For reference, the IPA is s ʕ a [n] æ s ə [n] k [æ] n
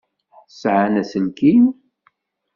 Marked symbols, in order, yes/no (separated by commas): yes, yes, no